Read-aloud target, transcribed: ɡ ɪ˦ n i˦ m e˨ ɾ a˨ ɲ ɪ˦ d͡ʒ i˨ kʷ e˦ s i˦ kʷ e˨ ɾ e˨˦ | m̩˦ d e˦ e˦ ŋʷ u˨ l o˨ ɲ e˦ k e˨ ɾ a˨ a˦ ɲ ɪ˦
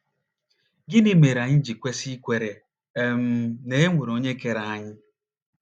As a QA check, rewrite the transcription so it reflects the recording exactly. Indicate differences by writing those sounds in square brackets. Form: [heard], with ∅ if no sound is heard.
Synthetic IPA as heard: ɡ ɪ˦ n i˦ m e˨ ɾ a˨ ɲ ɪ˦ d͡ʒ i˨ kʷ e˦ s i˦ kʷ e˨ ɾ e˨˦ | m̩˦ [n] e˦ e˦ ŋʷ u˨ [ɾ] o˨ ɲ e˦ k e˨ ɾ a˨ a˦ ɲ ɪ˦